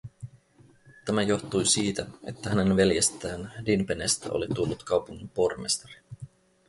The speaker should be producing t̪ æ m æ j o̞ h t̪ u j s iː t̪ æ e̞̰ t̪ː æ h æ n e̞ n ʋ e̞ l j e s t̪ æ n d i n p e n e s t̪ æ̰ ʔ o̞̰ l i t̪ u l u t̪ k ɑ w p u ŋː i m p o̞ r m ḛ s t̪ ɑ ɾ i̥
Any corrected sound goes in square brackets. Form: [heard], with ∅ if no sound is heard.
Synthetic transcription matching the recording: t̪ æ m æ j o̞ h t̪ u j s iː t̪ æ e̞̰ t̪ː æ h æ n e̞ n ʋ e̞ l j e s t̪ [æː] n d i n p e n e s t̪ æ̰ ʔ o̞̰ l i t̪ u [lː] u t̪ k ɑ w p u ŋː i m p o̞ r m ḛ s t̪ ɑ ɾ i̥